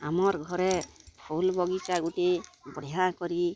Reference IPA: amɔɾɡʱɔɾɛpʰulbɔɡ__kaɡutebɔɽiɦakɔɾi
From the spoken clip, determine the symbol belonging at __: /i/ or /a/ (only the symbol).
i